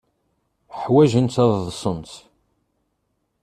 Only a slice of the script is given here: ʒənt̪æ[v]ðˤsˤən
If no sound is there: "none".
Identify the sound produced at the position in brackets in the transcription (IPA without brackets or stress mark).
ð